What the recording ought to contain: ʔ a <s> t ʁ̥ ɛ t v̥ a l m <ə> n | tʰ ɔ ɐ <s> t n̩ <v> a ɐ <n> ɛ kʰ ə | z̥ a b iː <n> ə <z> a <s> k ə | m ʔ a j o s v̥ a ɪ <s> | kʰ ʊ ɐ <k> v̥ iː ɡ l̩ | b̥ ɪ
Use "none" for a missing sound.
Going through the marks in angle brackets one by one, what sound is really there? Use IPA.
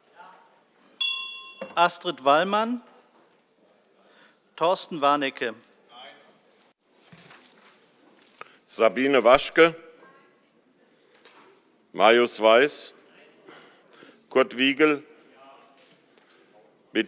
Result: s, a, s, v, n, n, v, ʃ, s, t

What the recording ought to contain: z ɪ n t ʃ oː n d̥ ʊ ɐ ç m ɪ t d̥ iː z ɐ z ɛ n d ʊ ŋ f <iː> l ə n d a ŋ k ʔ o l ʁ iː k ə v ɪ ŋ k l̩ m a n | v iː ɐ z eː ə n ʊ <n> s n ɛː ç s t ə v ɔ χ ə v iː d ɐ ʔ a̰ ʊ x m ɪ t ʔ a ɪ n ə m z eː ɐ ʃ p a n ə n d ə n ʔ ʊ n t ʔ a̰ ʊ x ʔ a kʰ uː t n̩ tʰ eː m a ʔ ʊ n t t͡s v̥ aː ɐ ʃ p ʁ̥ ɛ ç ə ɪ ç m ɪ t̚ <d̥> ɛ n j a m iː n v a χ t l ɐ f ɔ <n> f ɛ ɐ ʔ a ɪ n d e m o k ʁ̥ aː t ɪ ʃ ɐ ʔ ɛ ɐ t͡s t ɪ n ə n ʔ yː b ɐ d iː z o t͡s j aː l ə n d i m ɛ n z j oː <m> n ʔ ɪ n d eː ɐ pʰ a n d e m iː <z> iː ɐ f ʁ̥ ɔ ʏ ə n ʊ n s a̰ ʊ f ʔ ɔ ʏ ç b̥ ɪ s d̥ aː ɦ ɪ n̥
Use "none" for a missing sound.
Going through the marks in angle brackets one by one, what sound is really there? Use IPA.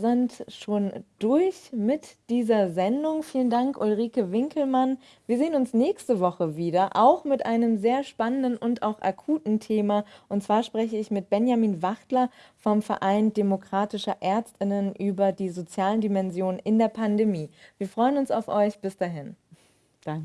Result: iː, n, b̥, m, n, v

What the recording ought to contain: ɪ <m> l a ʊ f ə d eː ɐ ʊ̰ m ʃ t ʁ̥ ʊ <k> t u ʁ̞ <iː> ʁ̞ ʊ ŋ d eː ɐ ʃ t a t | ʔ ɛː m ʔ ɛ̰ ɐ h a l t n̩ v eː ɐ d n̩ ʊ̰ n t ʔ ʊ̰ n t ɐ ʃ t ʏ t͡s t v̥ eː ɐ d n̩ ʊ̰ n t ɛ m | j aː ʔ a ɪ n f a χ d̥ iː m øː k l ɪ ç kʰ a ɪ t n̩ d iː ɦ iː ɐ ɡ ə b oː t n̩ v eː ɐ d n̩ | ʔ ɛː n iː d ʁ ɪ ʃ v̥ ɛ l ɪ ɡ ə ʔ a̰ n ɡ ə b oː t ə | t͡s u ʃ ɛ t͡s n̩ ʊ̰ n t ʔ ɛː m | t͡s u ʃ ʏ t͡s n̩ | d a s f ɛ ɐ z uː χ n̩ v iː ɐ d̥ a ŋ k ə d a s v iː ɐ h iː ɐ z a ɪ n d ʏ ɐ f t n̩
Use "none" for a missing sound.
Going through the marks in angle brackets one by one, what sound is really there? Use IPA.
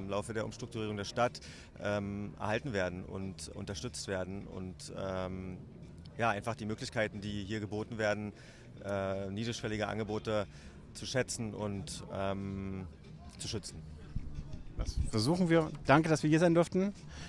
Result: m, k, iː

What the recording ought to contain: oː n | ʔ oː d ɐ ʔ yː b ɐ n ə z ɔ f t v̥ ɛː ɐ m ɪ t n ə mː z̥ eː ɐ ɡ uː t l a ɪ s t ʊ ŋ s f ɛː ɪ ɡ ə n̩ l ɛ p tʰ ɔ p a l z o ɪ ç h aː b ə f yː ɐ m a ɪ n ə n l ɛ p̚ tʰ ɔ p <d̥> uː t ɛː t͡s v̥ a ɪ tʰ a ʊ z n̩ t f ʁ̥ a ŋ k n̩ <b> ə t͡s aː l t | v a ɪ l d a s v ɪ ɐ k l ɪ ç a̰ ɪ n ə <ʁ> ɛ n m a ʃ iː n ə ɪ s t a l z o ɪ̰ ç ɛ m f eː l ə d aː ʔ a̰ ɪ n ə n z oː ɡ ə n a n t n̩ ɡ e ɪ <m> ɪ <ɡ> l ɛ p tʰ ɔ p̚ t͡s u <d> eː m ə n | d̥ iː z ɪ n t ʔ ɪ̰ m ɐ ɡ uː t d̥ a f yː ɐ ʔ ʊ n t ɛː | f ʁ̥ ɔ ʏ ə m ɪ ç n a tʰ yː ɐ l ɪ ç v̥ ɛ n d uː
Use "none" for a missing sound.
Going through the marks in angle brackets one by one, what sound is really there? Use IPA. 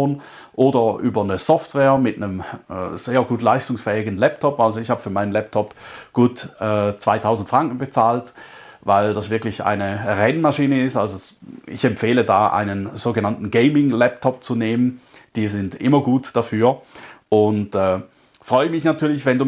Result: ɡ̥, b, ʁ, m, ŋ, n

